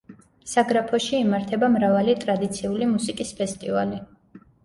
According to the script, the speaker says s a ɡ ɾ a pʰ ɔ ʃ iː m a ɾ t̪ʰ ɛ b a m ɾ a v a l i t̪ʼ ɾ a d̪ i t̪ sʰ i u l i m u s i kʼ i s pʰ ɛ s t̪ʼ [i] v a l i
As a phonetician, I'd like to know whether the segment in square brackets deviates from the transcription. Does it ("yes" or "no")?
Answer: no